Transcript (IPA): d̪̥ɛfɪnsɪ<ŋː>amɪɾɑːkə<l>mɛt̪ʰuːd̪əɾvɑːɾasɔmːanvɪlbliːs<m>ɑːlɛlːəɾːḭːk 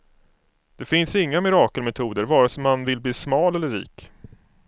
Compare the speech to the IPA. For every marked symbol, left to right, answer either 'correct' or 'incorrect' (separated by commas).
correct, correct, correct